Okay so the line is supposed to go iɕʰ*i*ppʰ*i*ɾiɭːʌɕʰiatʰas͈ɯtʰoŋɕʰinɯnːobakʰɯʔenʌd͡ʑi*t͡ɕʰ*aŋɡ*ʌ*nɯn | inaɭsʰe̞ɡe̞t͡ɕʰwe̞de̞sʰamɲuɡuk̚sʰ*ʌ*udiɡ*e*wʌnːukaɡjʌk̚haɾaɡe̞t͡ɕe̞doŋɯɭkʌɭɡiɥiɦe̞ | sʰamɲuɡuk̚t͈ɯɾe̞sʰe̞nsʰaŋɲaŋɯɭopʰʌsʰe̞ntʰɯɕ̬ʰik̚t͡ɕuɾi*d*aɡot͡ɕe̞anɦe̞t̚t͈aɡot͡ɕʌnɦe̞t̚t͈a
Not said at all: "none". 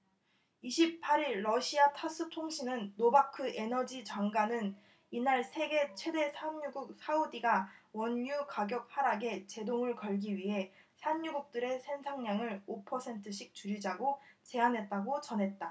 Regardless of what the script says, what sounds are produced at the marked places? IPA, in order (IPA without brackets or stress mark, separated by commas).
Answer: i, a, t͡ɕ, a, a, a, d͡ʑ